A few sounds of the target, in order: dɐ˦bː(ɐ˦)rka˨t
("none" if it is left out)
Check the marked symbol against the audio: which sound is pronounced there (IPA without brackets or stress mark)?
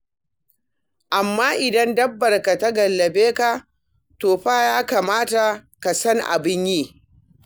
ɐ˨